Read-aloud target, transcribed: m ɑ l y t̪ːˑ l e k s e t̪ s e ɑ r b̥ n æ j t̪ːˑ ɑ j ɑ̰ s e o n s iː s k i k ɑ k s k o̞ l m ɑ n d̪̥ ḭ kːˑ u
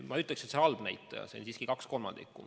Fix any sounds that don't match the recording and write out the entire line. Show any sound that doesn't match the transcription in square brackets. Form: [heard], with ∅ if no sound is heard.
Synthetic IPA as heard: m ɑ [∅] y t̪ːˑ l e k s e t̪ s e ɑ [l] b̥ n æ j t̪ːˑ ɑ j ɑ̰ s e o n s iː s k i k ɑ k s k o̞ l m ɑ n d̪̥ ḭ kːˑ u

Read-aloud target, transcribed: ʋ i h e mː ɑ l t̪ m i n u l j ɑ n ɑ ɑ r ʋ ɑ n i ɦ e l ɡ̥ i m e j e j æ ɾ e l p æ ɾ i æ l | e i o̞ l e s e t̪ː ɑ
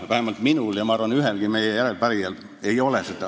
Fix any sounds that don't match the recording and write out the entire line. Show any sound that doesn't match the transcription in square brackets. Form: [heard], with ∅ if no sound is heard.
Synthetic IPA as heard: ʋ [æ] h e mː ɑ l t̪ m i n u l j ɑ [m] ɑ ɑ r ʋ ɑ n [y] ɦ e l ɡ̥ i m e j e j æ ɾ e l p æ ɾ i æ l | e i o̞ l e s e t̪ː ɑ

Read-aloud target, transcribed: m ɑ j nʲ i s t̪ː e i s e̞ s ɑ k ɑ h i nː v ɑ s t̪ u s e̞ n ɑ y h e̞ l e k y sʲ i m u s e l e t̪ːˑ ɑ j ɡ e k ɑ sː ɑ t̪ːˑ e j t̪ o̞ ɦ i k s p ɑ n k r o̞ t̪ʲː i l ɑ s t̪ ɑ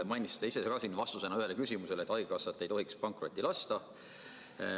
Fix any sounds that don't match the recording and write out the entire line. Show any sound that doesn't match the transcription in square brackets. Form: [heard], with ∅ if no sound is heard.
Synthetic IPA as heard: m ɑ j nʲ i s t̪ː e i s e̞ s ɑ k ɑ [s] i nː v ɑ s t̪ u s e̞ n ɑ y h e̞ l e k y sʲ i m u s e l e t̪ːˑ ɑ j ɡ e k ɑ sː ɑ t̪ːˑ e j t̪ o̞ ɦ i k s p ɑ [ŋ] k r o̞ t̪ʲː i l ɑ s t̪ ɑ

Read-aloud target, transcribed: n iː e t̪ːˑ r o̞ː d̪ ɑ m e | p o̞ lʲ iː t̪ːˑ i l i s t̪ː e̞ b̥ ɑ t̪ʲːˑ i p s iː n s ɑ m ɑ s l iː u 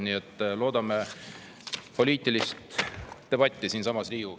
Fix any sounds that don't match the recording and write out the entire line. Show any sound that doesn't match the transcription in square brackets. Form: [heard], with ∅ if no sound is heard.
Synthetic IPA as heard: n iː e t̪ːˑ [l] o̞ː d̪ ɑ m e | p o̞ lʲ iː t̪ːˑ i l i s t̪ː e̞ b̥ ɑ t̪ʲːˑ i [∅] s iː n s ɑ m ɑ s l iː u

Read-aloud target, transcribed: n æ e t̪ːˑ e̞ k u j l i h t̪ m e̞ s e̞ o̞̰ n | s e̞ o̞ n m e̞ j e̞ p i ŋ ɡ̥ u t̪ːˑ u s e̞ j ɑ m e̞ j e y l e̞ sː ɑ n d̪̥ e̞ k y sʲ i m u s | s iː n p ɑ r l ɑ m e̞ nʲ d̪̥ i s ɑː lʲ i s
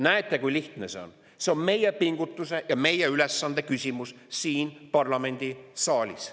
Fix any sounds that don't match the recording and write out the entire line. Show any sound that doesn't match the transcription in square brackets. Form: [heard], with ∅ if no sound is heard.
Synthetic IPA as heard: n æ e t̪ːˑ e̞ k u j l i h t̪ [n] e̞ s e̞ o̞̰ n | s e̞ o̞ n m e̞ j e̞ p i ŋ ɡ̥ u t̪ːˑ u s e̞ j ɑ m e̞ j e y l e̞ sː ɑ n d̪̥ e̞ k y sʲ i m u s | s iː n p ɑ r l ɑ m e̞ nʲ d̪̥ i s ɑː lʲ i s

